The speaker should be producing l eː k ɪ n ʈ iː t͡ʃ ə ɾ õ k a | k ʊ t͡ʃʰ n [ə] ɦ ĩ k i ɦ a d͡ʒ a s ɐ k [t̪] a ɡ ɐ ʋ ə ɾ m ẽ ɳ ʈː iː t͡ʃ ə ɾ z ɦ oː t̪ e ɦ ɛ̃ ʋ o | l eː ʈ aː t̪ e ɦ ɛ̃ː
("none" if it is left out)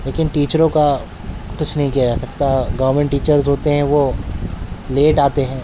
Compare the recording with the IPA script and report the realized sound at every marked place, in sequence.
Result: ɐ, t̪

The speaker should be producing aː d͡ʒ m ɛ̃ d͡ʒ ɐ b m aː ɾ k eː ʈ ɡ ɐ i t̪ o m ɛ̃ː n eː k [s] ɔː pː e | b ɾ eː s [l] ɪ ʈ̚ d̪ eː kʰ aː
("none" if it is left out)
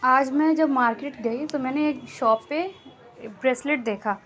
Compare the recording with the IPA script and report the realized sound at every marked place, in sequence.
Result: ʃ, l

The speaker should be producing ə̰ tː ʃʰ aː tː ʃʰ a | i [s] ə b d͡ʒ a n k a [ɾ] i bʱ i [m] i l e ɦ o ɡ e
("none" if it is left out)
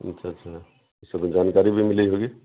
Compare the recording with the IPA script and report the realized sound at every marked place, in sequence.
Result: s, ɾ, m

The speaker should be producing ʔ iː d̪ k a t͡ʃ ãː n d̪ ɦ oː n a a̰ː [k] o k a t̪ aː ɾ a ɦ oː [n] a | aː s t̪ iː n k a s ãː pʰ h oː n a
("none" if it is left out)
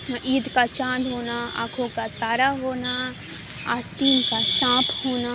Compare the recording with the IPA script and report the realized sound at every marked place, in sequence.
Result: kʰ, n

